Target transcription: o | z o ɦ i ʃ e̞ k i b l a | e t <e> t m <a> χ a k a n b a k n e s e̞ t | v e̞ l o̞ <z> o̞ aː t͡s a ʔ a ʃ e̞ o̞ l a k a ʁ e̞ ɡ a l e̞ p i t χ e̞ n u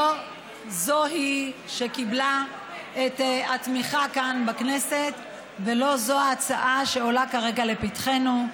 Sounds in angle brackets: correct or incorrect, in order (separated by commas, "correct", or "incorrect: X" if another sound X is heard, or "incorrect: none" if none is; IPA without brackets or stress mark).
incorrect: a, incorrect: i, correct